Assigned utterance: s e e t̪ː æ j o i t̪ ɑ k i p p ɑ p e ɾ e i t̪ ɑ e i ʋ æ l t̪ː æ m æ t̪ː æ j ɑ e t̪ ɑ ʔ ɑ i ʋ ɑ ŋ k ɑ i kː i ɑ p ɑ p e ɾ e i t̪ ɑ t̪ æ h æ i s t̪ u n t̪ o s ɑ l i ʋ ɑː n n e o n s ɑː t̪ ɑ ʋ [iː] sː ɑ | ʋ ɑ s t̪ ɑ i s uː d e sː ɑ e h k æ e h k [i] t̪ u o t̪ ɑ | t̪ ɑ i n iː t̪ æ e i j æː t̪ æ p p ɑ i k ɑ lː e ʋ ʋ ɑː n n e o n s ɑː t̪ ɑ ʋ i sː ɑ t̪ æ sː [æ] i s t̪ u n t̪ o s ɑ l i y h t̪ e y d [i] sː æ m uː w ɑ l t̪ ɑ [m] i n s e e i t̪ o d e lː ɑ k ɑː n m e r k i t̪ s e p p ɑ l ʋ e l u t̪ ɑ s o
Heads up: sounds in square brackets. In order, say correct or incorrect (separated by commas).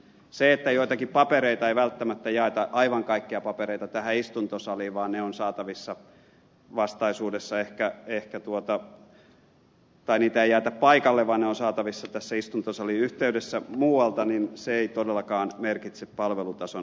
incorrect, incorrect, correct, incorrect, incorrect